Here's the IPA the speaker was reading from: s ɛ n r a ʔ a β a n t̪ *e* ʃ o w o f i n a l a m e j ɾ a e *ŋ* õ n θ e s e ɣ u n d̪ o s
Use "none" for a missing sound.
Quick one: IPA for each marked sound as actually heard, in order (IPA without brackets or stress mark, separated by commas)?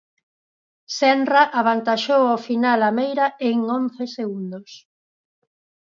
a, ŋ